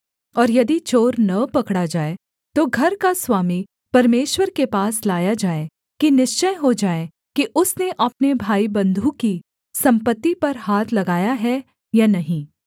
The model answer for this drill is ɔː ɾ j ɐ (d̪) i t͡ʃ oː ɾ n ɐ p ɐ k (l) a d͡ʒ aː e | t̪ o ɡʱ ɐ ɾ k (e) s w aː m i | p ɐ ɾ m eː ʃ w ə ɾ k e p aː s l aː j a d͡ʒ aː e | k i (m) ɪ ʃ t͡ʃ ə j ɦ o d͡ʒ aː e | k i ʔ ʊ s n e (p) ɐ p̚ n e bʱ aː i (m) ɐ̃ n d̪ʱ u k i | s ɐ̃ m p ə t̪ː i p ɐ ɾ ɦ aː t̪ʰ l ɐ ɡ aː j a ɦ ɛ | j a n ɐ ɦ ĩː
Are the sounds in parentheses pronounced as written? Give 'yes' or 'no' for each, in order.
yes, no, no, no, no, no

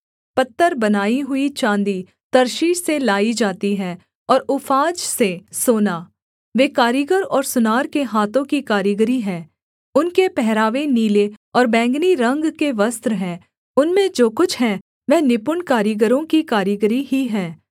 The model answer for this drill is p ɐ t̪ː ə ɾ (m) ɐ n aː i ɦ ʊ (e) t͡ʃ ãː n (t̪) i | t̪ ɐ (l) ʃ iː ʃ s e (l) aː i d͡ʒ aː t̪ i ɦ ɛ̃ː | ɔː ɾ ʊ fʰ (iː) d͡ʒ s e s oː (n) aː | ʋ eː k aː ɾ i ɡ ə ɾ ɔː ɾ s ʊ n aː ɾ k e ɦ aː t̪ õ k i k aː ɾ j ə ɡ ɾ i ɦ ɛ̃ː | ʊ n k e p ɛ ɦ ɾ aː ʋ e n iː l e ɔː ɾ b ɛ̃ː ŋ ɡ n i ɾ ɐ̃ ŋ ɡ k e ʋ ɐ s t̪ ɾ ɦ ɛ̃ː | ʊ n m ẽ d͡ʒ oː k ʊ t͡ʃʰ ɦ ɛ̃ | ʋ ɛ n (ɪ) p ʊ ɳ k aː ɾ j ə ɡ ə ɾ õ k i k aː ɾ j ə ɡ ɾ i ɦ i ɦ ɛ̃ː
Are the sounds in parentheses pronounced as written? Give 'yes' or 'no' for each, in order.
no, no, no, no, yes, no, yes, yes

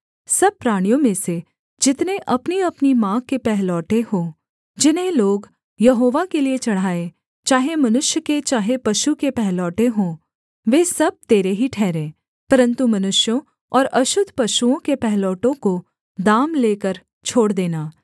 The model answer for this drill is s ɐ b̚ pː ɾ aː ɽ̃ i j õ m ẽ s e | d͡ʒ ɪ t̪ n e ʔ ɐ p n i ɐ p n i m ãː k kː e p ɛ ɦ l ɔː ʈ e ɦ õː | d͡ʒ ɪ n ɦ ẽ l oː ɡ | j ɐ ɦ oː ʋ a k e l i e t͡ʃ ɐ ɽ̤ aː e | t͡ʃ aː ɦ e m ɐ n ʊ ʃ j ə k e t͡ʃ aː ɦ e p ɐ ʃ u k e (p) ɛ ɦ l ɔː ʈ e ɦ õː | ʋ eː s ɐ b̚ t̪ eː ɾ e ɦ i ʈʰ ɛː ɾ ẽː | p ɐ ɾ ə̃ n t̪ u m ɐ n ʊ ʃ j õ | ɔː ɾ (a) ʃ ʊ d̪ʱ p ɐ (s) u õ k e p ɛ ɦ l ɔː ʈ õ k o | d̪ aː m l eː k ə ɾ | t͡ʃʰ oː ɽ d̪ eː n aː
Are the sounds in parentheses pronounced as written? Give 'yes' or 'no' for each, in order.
yes, no, no

